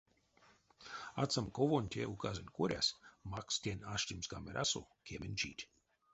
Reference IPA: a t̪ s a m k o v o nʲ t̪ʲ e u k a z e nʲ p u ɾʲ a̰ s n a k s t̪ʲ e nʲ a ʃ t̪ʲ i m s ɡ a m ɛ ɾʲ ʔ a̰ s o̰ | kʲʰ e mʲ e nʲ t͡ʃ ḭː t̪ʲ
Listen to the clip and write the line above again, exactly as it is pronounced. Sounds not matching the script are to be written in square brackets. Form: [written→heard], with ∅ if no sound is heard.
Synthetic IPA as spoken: a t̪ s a m k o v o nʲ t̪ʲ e u k a z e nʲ [p→k] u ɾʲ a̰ s [n→m] a k s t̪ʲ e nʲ a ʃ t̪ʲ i m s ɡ a m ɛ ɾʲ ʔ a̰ s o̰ | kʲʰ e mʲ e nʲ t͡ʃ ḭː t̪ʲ